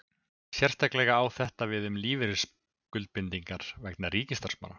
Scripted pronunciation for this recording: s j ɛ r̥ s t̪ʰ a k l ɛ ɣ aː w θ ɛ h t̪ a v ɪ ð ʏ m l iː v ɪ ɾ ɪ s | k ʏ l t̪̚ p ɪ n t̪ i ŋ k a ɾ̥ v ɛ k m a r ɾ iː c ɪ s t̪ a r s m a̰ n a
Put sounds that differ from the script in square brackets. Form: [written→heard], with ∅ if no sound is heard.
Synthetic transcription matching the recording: s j ɛ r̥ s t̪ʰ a k l ɛ ɣ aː w θ ɛ h t̪ a v ɪ ð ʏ m l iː v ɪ ɾ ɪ s | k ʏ l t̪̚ p ɪ n t̪ i ŋ k a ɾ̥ v ɛ k [m→n] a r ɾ iː c ɪ s t̪ a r s m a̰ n a